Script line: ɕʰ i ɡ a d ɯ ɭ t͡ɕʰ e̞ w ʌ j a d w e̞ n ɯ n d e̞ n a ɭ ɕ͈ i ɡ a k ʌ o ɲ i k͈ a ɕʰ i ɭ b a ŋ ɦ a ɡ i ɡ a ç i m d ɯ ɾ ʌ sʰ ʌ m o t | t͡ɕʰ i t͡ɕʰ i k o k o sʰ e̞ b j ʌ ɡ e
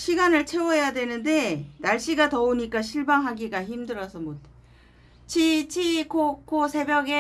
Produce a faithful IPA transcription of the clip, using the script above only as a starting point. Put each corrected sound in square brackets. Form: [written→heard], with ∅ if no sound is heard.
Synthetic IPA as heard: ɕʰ i ɡ a [d→n] ɯ ɭ t͡ɕʰ e̞ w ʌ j a d w e̞ n ɯ n d e̞ n a ɭ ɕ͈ i ɡ a [k→t] ʌ o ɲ i k͈ a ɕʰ i ɭ b a ŋ ɦ a ɡ i ɡ a ç i m d ɯ ɾ ʌ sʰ ʌ m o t | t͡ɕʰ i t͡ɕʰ i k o k o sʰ e̞ b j ʌ ɡ e